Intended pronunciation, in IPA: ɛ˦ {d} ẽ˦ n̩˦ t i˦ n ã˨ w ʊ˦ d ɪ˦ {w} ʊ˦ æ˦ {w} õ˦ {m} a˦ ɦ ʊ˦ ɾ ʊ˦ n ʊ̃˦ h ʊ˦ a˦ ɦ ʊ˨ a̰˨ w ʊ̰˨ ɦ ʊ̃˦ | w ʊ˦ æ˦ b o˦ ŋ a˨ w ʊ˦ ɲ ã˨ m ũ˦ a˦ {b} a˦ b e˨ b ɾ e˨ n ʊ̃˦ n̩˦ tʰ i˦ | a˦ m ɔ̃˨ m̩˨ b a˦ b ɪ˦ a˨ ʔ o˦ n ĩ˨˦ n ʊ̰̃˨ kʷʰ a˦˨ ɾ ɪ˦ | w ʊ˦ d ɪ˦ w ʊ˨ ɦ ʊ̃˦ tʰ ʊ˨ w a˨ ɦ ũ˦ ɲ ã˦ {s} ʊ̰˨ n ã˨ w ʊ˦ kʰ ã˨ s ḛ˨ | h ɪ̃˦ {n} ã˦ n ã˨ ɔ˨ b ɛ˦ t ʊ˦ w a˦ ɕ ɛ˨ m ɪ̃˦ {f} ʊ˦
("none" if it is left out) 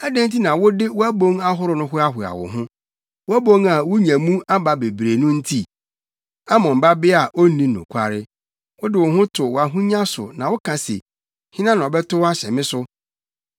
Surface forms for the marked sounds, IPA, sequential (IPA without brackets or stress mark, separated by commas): d, w, b, ŋ, b, s, n, s